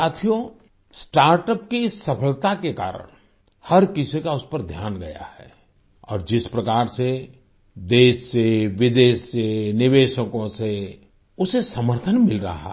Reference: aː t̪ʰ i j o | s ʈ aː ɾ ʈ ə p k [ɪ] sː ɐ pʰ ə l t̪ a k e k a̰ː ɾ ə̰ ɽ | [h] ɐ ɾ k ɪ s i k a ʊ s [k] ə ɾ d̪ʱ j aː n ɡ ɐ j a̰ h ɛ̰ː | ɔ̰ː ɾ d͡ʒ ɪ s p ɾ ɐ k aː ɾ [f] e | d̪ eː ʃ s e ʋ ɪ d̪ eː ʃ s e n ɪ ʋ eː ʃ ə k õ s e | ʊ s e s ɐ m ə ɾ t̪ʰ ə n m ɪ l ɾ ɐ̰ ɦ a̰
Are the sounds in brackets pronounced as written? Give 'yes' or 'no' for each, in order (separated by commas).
no, yes, no, no